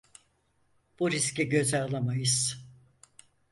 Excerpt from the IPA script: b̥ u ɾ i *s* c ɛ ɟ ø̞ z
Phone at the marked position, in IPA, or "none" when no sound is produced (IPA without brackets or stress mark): s